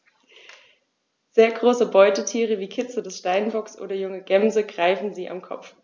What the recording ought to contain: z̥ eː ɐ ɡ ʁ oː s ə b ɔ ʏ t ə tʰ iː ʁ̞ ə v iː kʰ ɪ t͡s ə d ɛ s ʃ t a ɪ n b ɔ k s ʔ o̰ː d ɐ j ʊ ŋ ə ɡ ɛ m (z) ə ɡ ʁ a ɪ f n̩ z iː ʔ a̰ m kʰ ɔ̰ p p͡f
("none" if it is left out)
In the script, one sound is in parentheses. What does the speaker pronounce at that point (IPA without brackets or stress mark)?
z